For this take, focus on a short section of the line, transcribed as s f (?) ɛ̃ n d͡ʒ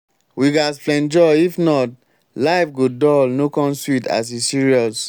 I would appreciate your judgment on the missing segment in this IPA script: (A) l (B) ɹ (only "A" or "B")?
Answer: A